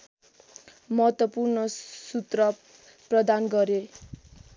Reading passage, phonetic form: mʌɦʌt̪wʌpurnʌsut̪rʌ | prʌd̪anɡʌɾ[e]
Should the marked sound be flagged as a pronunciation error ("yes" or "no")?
no